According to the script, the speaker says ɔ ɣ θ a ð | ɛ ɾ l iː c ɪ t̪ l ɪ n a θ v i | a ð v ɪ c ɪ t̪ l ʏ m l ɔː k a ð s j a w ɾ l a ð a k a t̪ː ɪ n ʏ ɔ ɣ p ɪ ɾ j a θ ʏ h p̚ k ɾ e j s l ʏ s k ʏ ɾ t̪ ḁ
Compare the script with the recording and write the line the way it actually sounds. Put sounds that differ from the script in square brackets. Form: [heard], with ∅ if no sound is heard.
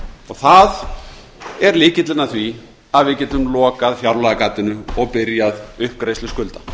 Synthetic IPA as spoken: ɔ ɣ θ a ð | ɛ ɾ l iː c ɪ t̪ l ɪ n a θ v i | a ð v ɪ c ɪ t̪ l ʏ m l ɔː k a ð [f] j a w ɾ l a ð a k a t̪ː ɪ n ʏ ɔ ɣ p ɪ ɾ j a [ð] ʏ h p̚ k ɾ e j s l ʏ s k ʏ [l] t̪ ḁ